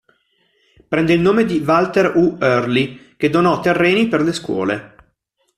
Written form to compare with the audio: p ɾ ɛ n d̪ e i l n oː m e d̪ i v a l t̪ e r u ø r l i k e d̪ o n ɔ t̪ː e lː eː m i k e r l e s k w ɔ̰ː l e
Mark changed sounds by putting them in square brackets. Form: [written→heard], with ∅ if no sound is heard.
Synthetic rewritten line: p ɾ ɛ n d̪ e i l n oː m e d̪ i v a l t̪ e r u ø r l i k e d̪ o n ɔ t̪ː e [lː→rː] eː [m→n] i [k→p] e r l e s k w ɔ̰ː l e